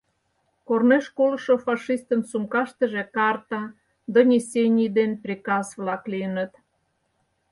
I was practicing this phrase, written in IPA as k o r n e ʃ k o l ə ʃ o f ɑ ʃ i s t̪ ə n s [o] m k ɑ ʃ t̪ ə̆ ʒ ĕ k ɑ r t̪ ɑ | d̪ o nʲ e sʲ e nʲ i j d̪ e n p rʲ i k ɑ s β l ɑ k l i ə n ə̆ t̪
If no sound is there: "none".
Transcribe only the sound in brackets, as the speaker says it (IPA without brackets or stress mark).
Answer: u